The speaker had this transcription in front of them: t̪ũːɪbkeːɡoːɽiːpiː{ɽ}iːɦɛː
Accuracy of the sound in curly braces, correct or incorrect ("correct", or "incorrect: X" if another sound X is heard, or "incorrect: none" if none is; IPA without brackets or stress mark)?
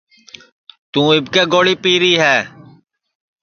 incorrect: ɾ